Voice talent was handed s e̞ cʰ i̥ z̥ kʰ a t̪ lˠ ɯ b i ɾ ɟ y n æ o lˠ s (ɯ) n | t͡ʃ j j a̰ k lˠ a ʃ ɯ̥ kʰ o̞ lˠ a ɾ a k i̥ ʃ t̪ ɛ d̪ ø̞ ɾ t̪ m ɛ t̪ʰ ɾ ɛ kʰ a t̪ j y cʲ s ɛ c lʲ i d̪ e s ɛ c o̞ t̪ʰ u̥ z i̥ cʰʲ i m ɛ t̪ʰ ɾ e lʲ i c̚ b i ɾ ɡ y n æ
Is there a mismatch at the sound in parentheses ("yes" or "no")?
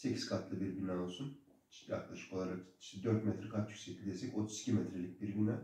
yes